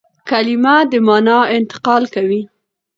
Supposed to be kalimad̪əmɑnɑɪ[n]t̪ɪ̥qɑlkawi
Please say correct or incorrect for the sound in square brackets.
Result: correct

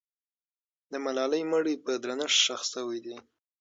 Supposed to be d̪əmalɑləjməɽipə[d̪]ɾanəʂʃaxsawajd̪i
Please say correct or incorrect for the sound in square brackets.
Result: correct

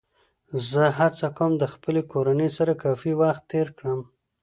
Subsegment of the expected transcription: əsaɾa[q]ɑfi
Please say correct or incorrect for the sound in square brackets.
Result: incorrect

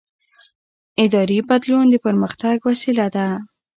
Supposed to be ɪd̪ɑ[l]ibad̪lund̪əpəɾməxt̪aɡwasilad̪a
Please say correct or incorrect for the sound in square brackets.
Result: incorrect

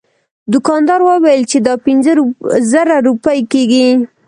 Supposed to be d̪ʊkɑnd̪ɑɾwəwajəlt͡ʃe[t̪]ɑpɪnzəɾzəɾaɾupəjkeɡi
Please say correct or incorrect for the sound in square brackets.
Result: incorrect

